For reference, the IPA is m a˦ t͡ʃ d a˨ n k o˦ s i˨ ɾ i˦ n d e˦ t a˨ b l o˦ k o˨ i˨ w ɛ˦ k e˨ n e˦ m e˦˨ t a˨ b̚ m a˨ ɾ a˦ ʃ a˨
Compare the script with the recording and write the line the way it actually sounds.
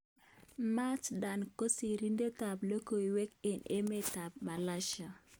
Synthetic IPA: m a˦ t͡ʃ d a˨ n k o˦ s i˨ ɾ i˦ n d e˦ t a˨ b l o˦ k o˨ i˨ w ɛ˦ k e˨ n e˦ m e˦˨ t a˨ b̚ m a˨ l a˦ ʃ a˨